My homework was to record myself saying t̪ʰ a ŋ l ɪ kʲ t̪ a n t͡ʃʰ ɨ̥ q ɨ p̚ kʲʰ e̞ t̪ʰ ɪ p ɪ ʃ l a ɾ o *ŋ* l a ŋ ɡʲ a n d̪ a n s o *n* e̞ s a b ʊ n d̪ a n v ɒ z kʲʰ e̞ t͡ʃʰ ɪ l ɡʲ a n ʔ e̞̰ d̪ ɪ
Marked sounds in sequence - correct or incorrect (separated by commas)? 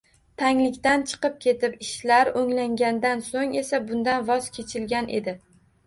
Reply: correct, incorrect